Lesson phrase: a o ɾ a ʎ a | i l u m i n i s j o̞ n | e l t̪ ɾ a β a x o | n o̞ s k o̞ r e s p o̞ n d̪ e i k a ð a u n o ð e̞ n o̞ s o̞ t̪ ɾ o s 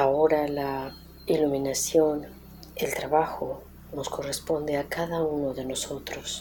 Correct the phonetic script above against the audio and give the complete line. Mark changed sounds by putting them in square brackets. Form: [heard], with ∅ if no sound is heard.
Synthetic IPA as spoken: a o ɾ a [l] a | i l u m i n [a] s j o̞ n | e l t̪ ɾ a β a x o | n o̞ s k o̞ r e s p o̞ n d̪ e [a] k a ð a u n o ð e̞ n o̞ s o̞ t̪ ɾ o s